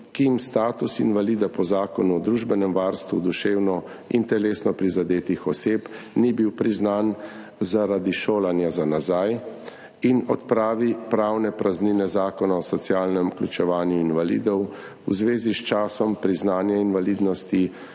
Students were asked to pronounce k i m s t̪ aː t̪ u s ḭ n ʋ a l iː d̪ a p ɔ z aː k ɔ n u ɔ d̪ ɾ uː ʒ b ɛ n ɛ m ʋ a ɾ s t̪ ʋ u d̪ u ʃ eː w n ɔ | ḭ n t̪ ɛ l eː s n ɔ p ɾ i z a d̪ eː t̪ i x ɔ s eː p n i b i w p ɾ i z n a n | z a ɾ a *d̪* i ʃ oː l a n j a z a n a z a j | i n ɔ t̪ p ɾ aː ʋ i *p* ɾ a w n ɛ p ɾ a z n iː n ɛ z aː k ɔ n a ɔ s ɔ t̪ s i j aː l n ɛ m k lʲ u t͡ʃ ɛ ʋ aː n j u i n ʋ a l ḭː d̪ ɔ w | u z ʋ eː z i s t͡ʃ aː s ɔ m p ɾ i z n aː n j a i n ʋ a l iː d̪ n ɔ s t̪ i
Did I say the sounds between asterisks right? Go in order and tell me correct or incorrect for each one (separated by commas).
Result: correct, correct